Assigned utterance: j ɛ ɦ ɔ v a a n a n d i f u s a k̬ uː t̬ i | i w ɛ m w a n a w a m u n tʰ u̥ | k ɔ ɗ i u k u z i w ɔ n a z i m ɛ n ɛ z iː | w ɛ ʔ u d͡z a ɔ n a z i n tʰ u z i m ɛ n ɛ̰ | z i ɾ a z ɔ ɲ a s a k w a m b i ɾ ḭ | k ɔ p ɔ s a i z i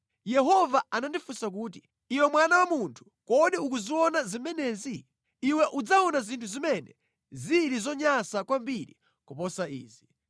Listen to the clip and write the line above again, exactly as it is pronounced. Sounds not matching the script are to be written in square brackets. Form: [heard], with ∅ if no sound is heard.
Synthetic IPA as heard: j ɛ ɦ ɔ v a a n a n d i f u s a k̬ uː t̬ i | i w ɛ m w a n a w a m u n tʰ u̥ | k ɔ ɗ i u k u z i w ɔ n a z i m ɛ n ɛ z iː | w ɛ ʔ u d͡z a ɔ n a z i n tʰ u z i m ɛ n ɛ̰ | z i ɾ [i] z ɔ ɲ a s a k w a m b i ɾ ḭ | k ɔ p ɔ s a [iː] z i